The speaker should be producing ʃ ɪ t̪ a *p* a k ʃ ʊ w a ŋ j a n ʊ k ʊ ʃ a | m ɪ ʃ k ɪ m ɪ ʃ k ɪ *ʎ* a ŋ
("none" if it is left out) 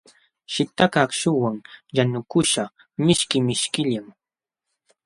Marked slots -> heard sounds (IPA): k, ʎ

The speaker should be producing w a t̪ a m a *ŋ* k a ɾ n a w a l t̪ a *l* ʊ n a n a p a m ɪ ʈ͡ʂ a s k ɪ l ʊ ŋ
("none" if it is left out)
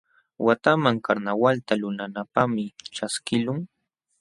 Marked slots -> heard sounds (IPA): ŋ, l

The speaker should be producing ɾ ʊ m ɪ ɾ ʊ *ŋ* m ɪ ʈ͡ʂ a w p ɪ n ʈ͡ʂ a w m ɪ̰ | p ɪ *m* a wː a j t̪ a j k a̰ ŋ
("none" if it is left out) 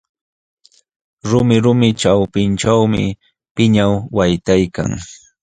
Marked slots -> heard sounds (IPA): none, ɲ

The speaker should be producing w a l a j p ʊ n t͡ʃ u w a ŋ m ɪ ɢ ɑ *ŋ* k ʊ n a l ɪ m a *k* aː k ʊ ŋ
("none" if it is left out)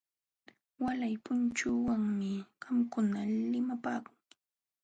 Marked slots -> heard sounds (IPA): m, p

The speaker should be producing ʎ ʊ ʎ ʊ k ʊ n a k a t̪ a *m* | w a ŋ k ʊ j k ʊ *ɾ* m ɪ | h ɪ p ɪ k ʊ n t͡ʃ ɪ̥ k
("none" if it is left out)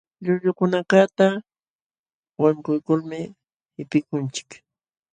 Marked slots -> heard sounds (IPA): none, l

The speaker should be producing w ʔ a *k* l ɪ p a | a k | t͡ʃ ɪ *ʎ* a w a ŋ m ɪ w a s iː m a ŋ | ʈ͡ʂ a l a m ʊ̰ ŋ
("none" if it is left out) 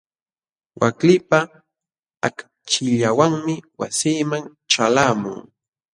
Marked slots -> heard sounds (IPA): k, ʎ

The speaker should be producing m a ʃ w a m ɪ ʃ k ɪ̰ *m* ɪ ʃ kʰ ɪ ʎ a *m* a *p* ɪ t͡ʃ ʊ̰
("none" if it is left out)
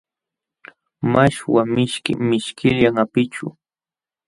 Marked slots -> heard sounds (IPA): m, ŋ, p

